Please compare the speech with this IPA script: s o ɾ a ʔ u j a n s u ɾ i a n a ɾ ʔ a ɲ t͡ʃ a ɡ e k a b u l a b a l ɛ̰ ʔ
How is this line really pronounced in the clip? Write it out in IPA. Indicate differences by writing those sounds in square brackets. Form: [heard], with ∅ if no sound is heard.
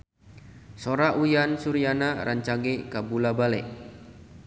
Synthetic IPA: s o ɾ a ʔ u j a n s u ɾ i a n a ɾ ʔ a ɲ t͡ʃ a ɡ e k a b u l a b a l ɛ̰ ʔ